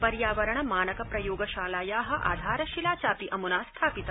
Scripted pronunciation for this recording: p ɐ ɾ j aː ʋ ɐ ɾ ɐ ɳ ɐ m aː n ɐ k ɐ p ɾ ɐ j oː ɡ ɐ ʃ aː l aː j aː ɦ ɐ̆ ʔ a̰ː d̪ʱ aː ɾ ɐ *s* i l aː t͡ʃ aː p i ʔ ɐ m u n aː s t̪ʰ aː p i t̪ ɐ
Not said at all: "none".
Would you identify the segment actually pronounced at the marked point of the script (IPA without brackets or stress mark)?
ʃ